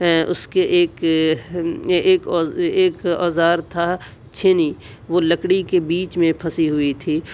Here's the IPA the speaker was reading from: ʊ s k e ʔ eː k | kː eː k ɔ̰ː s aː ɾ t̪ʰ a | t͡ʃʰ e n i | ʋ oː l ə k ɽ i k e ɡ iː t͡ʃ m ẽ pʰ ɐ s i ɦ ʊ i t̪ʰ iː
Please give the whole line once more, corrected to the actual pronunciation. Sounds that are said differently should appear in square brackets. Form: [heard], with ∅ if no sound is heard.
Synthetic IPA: ʊ s k e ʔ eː k | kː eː k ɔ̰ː [z] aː ɾ t̪ʰ a | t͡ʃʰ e n i | ʋ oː l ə k ɽ i k e [b] iː t͡ʃ m ẽ pʰ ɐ s i ɦ ʊ i t̪ʰ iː